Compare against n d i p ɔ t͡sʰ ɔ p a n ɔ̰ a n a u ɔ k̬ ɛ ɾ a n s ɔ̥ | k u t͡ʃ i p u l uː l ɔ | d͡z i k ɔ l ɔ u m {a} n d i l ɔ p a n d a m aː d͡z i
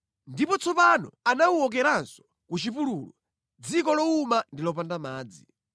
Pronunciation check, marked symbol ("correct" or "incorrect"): correct